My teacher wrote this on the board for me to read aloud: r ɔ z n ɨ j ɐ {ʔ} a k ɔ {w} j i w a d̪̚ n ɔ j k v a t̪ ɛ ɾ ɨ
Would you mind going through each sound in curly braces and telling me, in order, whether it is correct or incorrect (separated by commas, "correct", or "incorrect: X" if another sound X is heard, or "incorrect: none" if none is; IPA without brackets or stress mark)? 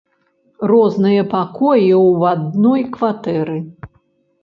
incorrect: p, incorrect: none